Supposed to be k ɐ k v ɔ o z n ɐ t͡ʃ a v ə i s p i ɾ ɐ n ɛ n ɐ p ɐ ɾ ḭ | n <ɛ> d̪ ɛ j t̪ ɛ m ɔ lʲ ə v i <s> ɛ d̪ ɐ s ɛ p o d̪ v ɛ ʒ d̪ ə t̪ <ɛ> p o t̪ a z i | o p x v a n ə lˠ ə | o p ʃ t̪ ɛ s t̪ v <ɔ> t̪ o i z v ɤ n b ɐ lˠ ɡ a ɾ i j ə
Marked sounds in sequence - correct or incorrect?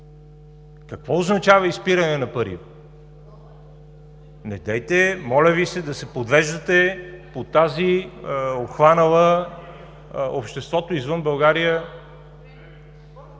correct, correct, correct, correct

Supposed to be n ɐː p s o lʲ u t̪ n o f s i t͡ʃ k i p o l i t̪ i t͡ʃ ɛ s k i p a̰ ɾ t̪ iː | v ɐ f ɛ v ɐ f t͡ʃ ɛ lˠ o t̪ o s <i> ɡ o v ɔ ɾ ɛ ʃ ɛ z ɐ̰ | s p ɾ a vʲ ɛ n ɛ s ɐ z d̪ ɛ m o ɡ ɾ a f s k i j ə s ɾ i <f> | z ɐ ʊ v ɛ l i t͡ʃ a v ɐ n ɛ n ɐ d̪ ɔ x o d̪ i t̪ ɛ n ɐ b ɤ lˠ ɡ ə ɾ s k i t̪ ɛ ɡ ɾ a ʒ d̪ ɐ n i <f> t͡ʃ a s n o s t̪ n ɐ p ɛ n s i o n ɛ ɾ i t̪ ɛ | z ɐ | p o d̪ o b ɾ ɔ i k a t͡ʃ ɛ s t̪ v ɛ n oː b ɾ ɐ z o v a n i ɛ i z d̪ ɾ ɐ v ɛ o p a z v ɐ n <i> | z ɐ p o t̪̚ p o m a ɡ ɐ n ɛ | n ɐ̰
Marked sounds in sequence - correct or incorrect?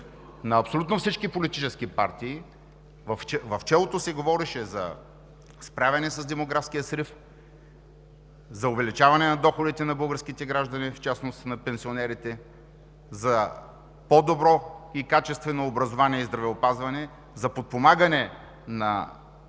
incorrect, correct, correct, incorrect

